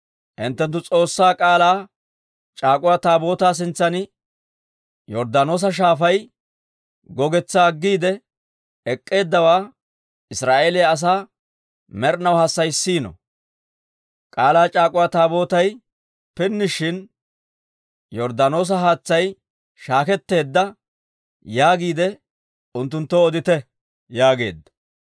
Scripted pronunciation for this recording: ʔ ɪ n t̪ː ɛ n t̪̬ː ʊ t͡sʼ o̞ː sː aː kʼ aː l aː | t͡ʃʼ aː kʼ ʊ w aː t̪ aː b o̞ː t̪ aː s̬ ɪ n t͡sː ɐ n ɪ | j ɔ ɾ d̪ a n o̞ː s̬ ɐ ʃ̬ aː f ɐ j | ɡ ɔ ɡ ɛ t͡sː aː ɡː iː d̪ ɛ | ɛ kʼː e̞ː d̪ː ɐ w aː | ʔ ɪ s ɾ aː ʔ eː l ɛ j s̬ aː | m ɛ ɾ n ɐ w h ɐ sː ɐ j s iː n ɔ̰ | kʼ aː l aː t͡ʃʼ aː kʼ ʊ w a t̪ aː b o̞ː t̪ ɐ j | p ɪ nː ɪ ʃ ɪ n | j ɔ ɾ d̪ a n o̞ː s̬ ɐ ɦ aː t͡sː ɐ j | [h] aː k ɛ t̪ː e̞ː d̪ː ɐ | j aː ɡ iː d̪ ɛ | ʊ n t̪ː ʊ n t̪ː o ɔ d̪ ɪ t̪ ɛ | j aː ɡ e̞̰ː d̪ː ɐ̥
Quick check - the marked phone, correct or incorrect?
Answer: incorrect